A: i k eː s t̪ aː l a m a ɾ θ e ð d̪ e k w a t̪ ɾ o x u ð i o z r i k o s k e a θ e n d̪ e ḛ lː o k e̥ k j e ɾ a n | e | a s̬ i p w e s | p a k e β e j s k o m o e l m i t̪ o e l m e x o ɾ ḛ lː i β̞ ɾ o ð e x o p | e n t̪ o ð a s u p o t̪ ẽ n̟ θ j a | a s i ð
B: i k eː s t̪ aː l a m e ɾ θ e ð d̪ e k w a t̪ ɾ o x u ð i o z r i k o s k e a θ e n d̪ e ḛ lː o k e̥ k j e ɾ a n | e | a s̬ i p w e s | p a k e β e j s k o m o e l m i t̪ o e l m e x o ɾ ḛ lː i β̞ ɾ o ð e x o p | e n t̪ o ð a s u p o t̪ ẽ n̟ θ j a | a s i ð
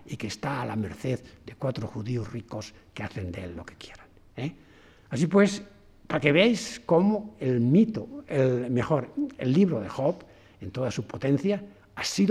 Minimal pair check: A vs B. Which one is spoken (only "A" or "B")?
B